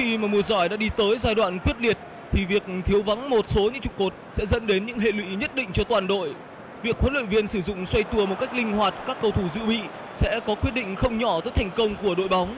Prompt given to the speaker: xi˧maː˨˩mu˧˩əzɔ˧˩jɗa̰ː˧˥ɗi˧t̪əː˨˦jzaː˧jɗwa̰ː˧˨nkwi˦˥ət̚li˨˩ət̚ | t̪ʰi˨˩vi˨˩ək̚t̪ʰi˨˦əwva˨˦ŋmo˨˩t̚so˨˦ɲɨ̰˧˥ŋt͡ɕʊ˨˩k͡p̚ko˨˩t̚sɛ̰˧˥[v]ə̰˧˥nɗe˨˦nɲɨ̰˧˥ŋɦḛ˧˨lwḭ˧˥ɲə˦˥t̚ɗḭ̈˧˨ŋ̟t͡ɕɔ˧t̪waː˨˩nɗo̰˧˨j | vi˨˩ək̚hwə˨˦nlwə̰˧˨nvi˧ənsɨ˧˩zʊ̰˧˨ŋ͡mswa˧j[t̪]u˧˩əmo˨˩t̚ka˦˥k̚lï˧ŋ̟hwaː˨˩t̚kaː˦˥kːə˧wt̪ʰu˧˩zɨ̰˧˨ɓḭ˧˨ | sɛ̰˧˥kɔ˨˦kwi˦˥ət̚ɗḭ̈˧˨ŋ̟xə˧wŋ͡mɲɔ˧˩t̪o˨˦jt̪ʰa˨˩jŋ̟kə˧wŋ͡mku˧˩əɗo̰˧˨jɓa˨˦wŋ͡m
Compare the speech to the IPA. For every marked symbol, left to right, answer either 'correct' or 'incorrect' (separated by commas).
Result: incorrect, correct